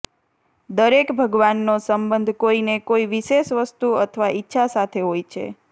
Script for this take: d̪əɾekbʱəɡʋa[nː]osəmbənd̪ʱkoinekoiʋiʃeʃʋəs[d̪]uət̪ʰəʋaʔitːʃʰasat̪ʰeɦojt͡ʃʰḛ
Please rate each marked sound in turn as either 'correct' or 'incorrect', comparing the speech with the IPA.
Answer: correct, incorrect

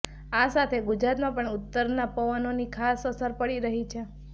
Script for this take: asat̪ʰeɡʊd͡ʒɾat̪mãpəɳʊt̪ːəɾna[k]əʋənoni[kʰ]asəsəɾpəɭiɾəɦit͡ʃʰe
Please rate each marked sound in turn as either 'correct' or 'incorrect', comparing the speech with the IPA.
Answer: incorrect, correct

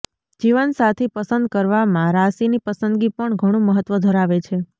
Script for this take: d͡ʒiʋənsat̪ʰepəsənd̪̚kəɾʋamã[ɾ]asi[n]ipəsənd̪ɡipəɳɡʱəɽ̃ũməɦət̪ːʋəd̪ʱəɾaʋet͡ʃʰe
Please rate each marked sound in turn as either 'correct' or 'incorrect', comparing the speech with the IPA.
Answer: correct, correct

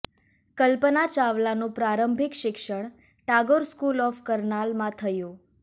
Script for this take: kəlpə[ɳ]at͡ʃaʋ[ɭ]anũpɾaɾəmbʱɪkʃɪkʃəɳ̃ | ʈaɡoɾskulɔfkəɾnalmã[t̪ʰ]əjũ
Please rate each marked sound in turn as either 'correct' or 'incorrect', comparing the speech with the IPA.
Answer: incorrect, incorrect, correct

